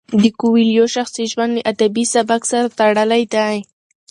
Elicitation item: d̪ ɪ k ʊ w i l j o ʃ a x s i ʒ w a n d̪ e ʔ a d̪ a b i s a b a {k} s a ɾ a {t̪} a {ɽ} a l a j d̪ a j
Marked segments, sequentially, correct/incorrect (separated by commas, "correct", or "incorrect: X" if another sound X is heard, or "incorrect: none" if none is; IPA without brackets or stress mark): correct, correct, correct